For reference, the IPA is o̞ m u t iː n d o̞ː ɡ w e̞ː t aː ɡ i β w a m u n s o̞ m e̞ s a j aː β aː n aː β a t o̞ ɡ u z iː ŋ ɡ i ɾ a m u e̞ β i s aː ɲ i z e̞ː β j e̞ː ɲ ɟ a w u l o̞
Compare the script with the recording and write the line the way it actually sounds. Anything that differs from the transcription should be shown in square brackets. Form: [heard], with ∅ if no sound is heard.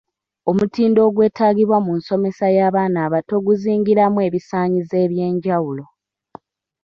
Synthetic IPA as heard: o̞ m u t iː n d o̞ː ɡ w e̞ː t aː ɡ i β w a m u n s o̞ m e̞ s a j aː β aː n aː β a t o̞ ɡ u z iː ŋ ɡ i ɾ a m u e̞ β i s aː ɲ i z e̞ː β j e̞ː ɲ ɟ a w u l o̞